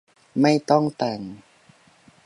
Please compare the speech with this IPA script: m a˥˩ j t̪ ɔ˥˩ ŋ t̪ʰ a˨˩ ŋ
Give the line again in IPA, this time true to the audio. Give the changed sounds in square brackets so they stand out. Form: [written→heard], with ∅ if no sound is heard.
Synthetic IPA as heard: m a˥˩ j t̪ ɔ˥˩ ŋ [t̪ʰ→t̪] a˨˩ ŋ

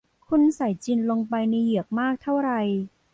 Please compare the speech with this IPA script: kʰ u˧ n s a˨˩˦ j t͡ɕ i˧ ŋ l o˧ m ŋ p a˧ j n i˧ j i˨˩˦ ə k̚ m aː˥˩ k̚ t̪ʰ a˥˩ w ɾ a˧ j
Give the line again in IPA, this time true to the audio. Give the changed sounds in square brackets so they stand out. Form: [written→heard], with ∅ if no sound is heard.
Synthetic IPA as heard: kʰ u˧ n s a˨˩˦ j t͡ɕ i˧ [ŋ→n] l o˧ [m→∅] ŋ p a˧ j n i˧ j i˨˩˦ ə k̚ m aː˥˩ k̚ t̪ʰ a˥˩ w ɾ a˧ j

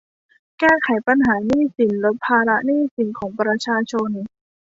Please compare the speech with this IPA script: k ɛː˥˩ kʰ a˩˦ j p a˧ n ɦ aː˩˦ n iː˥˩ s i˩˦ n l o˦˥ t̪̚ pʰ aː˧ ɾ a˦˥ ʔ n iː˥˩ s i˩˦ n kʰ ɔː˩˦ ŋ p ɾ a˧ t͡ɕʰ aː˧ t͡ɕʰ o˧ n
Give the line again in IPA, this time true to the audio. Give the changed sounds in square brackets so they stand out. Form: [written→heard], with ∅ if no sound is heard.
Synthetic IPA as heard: k ɛː˥˩ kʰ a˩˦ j p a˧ n ɦ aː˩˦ n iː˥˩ s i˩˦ n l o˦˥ t̪̚ pʰ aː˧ ɾ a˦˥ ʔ n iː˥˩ s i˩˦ n kʰ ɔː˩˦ ŋ p ɾ a˧ t͡ɕʰ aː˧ t͡ɕʰ o˧ n

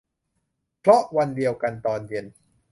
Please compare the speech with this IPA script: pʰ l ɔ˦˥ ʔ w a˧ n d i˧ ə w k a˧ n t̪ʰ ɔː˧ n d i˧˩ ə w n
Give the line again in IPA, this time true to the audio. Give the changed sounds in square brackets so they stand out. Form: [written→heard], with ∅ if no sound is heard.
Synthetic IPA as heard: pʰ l ɔ˦˥ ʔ w a˧ n d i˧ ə w k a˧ n [t̪ʰ→t̪] ɔː˧ n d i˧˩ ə [w→∅] n

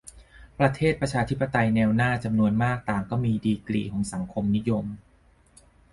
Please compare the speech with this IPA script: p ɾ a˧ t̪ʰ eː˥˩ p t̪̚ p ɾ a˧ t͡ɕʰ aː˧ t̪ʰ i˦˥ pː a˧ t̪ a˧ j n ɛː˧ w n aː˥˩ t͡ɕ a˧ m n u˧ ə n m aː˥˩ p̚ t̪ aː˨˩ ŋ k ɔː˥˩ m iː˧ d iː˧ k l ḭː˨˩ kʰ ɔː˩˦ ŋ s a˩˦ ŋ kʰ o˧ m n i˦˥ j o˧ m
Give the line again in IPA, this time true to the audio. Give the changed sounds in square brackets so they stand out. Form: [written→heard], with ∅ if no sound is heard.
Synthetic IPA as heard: p ɾ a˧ t̪ʰ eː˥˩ [p→∅] t̪̚ p ɾ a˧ t͡ɕʰ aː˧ t̪ʰ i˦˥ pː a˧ t̪ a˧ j n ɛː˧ w n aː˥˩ t͡ɕ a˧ m n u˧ ə n m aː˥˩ [p̚→k̚] t̪ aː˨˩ ŋ k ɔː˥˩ m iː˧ d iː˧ k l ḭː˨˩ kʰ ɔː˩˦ ŋ s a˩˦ ŋ kʰ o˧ m n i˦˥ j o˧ m

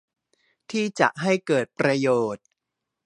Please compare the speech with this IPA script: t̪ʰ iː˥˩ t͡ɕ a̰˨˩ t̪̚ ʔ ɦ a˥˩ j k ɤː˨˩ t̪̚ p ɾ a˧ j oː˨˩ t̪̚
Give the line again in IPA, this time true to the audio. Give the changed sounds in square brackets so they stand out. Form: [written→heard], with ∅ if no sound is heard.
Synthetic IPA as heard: t̪ʰ iː˥˩ t͡ɕ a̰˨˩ [t̪̚→∅] ʔ ɦ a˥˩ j k ɤː˨˩ t̪̚ p ɾ a˧ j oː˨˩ t̪̚

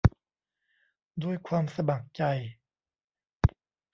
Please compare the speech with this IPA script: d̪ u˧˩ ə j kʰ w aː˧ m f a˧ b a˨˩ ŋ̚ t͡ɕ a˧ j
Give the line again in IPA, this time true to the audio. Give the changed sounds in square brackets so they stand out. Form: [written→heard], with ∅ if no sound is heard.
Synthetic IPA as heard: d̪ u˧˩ ə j kʰ w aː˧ m [f→s] a˧ b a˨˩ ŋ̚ t͡ɕ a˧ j

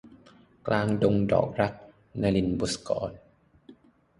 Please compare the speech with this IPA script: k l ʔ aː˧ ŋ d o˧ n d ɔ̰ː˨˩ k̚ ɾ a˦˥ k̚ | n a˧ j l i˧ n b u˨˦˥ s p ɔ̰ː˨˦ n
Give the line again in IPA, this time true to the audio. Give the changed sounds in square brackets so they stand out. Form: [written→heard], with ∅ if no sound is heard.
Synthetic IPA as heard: k l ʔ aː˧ ŋ d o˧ [n→ŋ] d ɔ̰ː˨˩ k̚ ɾ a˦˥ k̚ | n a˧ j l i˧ n b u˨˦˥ s [p→k] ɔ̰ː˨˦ n

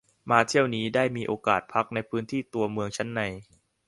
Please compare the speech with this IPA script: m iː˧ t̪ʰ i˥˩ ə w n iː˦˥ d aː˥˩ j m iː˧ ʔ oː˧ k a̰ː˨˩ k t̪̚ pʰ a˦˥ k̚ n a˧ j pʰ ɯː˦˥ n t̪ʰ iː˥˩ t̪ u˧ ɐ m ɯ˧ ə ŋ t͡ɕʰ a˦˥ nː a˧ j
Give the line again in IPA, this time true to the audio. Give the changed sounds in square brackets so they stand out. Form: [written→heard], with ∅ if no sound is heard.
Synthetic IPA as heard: m [iː˧→aː˧] t̪ʰ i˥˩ ə w n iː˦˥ d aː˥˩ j m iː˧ ʔ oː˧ k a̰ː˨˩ [k→∅] t̪̚ pʰ a˦˥ k̚ n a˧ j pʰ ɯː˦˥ n t̪ʰ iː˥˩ t̪ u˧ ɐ m ɯ˧ ə ŋ t͡ɕʰ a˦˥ nː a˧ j

